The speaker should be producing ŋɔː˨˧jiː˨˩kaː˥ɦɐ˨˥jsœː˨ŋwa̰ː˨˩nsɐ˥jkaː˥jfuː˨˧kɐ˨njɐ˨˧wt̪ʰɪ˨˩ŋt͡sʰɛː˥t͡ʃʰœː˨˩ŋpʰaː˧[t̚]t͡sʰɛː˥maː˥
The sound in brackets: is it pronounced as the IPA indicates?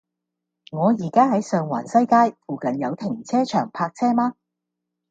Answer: no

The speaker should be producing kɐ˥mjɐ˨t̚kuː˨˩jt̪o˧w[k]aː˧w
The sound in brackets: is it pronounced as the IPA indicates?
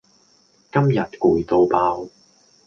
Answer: no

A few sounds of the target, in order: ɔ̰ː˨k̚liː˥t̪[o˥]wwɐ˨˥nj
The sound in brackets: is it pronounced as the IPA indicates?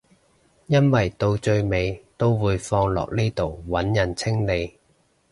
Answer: no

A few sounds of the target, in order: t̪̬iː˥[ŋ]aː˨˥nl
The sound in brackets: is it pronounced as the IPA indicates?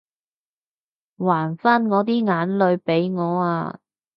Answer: yes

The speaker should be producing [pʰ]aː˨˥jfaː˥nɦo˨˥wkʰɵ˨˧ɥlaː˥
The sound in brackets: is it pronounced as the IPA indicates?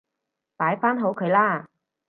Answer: no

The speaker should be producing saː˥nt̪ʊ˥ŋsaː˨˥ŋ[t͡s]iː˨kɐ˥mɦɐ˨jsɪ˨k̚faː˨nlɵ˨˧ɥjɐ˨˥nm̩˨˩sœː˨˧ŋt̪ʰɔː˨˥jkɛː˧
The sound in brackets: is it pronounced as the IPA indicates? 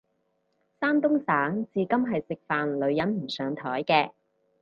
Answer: yes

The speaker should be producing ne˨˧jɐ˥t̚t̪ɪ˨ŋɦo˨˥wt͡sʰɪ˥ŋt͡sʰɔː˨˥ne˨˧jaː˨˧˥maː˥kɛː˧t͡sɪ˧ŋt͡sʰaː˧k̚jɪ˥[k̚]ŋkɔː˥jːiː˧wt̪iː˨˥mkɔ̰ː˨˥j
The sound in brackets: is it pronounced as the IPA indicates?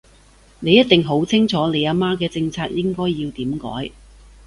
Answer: no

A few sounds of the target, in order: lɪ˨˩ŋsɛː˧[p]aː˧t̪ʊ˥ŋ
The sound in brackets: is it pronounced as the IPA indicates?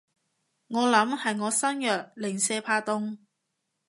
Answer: no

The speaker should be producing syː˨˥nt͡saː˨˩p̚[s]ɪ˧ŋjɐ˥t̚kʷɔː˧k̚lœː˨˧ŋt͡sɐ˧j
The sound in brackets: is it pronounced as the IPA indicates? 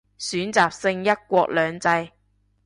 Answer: yes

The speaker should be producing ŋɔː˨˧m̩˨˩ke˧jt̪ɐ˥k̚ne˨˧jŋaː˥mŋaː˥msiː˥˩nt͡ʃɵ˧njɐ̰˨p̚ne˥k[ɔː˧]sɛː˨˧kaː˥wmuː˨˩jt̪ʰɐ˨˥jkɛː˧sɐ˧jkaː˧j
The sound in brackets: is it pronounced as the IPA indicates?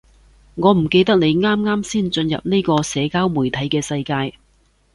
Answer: yes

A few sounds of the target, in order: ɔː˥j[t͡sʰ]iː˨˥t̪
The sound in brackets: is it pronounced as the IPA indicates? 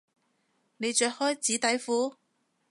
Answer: no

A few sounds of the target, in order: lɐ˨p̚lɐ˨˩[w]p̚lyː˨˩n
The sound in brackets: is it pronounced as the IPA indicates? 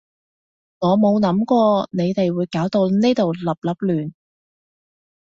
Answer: no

